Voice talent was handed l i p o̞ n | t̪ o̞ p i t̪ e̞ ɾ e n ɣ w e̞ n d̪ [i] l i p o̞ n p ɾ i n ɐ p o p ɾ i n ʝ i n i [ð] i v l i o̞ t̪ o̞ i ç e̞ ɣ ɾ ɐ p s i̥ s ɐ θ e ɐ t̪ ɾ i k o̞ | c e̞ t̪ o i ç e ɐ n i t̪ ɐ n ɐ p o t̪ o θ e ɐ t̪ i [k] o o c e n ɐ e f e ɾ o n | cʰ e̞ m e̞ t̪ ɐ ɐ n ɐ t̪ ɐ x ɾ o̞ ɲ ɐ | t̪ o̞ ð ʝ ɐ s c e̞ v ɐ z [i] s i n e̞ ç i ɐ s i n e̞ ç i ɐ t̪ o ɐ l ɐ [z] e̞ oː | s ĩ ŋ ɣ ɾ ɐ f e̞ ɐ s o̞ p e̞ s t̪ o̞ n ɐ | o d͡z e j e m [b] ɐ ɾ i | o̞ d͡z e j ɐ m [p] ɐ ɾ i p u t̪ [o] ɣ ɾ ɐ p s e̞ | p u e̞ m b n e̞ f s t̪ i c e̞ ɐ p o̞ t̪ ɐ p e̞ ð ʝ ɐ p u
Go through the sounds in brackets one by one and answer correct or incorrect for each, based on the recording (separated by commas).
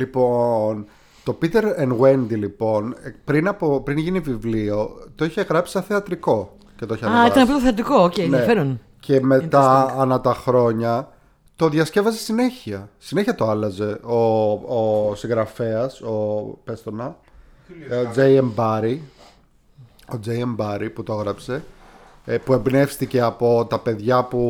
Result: correct, incorrect, correct, incorrect, correct, correct, incorrect, correct